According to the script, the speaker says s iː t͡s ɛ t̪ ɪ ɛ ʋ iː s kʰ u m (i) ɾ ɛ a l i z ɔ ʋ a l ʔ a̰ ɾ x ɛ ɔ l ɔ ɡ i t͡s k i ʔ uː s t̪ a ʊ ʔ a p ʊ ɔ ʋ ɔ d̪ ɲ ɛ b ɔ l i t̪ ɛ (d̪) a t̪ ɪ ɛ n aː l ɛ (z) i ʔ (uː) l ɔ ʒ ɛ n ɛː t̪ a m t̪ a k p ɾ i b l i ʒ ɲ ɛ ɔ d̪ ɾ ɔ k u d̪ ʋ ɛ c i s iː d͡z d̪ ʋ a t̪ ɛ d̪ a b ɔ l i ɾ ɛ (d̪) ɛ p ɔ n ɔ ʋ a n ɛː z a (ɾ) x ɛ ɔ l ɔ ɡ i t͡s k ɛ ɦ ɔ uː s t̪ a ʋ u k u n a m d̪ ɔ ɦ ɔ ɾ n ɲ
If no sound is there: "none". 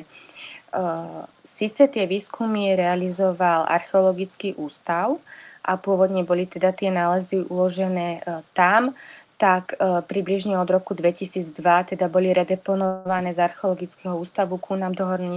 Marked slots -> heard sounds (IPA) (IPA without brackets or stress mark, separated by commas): i, d̪, z, u, d̪, ɾ